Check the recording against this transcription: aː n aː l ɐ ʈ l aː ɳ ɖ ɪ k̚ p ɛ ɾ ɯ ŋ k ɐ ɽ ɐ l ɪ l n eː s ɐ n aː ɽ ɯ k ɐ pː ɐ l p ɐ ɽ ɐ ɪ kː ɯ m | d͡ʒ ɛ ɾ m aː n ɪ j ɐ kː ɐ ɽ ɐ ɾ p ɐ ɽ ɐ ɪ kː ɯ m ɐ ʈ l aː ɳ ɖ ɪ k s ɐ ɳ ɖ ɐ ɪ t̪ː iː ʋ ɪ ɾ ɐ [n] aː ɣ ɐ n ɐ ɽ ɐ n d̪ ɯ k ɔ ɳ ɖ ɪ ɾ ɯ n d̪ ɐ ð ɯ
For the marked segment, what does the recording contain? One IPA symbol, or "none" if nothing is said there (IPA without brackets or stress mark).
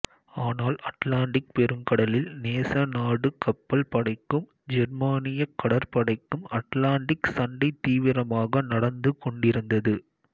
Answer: m